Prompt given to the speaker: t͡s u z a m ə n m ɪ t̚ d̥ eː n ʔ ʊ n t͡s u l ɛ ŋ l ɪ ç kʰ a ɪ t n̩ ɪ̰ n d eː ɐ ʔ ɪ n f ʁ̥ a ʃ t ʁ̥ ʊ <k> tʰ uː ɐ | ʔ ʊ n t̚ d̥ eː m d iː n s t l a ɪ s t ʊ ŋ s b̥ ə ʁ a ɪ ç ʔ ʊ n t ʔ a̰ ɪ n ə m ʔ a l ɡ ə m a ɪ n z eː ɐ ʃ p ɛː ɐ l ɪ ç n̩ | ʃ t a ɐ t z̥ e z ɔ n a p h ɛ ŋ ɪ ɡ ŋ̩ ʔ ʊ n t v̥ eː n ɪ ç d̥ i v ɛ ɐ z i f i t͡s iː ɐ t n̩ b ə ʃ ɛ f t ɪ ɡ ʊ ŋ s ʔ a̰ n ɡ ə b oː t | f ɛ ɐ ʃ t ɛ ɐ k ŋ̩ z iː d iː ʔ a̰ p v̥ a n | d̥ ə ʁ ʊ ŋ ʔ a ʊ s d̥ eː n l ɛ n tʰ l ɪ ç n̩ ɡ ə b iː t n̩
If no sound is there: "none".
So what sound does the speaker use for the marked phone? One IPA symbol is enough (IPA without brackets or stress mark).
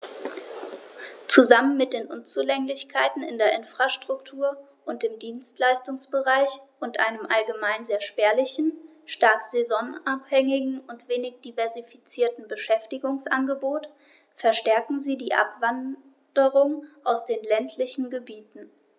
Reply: k